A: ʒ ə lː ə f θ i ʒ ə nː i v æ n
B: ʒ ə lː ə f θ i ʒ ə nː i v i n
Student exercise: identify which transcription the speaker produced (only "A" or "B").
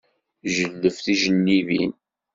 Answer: B